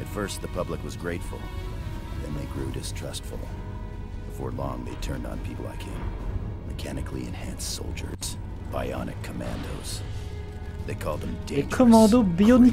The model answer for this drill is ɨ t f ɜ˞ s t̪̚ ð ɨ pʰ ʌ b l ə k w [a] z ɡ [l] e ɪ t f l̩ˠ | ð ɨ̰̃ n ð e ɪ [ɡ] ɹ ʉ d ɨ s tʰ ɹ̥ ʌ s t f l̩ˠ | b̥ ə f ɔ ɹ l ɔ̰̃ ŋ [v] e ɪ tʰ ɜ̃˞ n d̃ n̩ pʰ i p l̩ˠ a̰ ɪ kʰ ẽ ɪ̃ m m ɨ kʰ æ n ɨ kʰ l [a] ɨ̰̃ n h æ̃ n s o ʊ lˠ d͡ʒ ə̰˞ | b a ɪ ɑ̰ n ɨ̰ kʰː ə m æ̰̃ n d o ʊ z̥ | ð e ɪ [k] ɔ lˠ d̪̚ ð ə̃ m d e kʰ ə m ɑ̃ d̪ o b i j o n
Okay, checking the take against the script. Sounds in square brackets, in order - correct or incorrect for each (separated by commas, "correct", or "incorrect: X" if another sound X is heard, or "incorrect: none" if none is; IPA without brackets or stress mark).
incorrect: ʌ, incorrect: ɹ, correct, incorrect: ð, incorrect: i, incorrect: kʰ